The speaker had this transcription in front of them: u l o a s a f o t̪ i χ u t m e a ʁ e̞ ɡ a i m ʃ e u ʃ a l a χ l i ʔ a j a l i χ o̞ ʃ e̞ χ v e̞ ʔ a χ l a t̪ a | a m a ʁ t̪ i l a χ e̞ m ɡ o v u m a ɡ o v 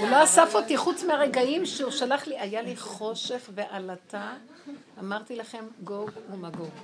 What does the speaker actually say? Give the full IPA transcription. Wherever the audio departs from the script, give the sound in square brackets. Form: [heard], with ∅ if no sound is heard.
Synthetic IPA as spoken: u l o a s a f o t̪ i χ u [t͡s] m e a ʁ e̞ ɡ a i m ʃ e u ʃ a l a χ l i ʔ a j a l i χ o̞ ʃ e̞ χ v e̞ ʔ a [∅] l a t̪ a | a m a ʁ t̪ i l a χ e̞ m ɡ o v u m a ɡ o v